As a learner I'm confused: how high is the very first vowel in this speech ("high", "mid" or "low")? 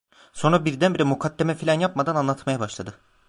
mid